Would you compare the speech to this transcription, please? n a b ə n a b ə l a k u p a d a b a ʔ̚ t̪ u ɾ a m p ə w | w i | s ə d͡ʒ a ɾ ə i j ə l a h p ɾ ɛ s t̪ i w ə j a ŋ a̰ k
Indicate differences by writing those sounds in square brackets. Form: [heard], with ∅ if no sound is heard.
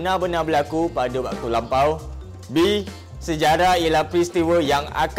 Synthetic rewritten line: n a b ə n a b ə l a k u p a d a b a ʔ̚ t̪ u [l] a m p [a] w | [b] i | s ə d͡ʒ a ɾ [a] i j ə l a h p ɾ [i] s t̪ i w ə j a ŋ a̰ k